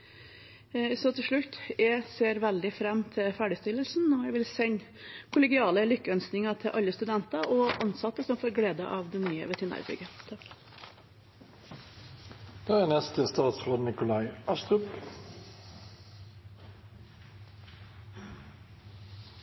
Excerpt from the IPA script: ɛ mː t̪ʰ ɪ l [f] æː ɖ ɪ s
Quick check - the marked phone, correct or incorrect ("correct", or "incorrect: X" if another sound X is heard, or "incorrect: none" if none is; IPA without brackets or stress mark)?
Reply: correct